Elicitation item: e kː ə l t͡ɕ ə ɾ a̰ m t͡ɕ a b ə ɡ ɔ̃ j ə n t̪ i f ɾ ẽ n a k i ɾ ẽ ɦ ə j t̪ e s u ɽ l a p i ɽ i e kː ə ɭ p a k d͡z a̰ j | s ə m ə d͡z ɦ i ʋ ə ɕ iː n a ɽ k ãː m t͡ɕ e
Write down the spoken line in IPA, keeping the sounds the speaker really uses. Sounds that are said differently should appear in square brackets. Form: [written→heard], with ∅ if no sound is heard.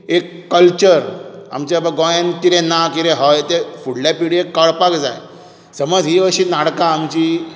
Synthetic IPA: e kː ə l t͡ɕ ə ɾ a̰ m t͡ɕ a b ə ɡ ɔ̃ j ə n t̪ i [f→∅] ɾ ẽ n a k i ɾ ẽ ɦ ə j t̪ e [s→f] u ɽ l a p i ɽ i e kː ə ɭ p a k d͡z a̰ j | s ə m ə d͡z ɦ i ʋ ə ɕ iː n a ɽ k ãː m t͡ɕ [e→i]